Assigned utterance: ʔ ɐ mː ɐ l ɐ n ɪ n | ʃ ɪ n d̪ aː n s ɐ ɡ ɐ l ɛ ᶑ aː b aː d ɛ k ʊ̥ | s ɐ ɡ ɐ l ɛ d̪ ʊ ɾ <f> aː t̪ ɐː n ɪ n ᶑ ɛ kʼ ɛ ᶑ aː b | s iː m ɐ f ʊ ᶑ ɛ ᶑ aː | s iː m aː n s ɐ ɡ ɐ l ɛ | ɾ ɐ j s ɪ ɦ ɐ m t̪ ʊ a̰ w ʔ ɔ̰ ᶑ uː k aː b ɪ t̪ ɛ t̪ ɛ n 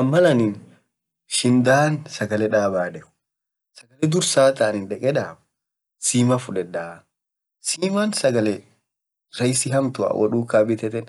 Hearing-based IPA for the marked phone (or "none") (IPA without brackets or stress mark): s